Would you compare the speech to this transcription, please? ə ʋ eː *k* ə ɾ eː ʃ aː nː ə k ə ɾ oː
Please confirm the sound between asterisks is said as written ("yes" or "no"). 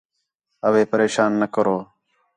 no